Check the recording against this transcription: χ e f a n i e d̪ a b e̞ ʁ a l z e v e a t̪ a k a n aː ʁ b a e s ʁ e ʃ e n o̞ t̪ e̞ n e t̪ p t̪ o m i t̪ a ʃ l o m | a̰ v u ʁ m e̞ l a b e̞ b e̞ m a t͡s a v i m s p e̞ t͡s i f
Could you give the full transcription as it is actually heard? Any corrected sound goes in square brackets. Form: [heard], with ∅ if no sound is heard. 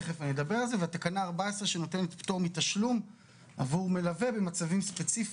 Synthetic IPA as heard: χ e f a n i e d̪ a b e̞ ʁ a l z e v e a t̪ a k a n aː ʁ b a e s ʁ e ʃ e n o̞ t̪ e̞ n e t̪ p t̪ o m i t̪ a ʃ l [u] m | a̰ v u ʁ m e̞ l a [v] e̞ b e̞ m a t͡s a v i m s p e̞ t͡s i f